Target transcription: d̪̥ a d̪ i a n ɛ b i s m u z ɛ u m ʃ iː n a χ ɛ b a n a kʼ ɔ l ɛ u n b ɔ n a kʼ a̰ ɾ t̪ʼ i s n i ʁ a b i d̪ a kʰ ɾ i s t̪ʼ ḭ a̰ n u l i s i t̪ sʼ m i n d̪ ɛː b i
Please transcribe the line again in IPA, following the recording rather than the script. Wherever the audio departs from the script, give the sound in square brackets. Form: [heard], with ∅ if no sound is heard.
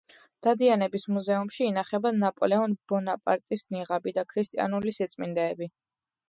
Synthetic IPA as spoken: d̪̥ a d̪ i a n ɛ b i s m u z ɛ u m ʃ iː n a χ ɛ b a n a [pʼ] ɔ l ɛ [ɔ] n b ɔ n a [pʼ] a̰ ɾ t̪ʼ i s n i ʁ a b i d̪ a kʰ ɾ i s t̪ʼ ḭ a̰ n u l i s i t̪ sʼ m i n d̪ ɛː b i